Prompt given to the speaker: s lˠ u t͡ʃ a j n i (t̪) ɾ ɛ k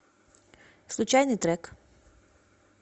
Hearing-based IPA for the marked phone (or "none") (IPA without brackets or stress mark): t̪